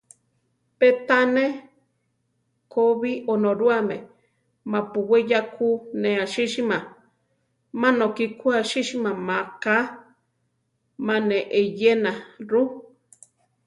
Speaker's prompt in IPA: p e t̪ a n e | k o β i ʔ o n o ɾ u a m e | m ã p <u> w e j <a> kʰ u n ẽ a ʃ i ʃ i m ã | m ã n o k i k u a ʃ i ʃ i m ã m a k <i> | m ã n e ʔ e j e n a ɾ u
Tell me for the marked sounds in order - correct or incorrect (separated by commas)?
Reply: correct, correct, incorrect